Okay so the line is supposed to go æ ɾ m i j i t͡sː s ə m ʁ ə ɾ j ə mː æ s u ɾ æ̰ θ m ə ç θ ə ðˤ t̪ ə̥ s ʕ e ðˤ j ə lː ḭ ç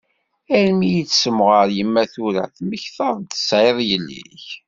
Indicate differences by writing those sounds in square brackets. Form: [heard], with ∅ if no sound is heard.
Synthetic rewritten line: æ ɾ m i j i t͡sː s ə m ʁ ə ɾ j ə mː æ [θ] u ɾ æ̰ θ m ə ç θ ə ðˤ t̪ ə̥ s ʕ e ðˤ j ə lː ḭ ç